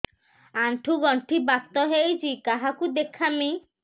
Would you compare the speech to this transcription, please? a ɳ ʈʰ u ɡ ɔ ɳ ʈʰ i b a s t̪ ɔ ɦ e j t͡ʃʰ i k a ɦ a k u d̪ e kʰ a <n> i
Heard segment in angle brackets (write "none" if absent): m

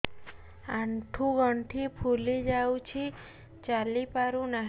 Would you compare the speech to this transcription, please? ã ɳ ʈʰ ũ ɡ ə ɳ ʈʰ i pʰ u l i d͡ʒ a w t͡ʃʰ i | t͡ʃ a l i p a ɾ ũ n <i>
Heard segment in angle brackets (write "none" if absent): a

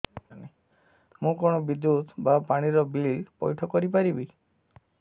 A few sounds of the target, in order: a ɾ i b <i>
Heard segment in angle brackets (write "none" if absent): i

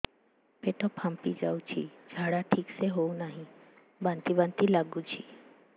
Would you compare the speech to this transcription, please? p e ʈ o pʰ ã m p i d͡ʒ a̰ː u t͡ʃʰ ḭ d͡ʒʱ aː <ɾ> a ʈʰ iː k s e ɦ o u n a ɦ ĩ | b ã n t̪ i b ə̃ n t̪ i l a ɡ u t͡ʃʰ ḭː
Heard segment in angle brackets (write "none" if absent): ɽ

